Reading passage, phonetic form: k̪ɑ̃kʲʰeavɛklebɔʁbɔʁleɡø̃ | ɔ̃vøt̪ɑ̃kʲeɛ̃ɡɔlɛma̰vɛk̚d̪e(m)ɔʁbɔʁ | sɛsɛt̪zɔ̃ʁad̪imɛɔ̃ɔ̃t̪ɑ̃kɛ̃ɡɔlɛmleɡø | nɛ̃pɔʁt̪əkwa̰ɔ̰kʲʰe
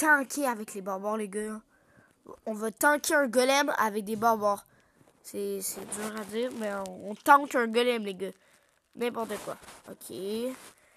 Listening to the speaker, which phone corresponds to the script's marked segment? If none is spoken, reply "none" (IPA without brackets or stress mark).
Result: b